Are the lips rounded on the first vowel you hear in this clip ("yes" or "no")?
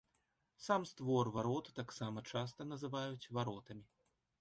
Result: no